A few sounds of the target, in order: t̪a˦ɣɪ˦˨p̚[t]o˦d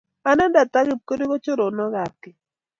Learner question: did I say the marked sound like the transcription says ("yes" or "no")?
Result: no